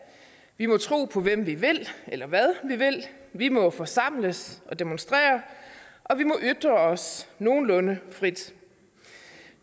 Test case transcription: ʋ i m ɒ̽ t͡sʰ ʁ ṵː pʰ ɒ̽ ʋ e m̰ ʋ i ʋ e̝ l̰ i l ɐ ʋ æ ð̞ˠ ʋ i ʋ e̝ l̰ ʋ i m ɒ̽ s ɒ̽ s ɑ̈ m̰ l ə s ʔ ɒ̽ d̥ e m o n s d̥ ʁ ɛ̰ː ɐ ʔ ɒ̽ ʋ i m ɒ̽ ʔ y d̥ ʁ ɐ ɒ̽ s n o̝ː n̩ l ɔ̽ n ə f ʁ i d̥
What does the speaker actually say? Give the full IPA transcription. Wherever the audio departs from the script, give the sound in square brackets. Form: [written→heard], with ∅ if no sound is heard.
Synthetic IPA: ʋ i m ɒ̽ t͡sʰ ʁ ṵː pʰ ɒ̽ ʋ e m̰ ʋ i ʋ e̝ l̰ [i→e] l ɐ ʋ æ ð̞ˠ ʋ i ʋ e̝ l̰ ʋ i m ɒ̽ [s→f] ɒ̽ s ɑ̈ m̰ l ə s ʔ ɒ̽ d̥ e m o n s d̥ ʁ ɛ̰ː ɐ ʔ ɒ̽ ʋ i m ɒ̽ ʔ y d̥ ʁ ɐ ɒ̽ s n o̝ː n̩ l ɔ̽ n ə f ʁ i d̥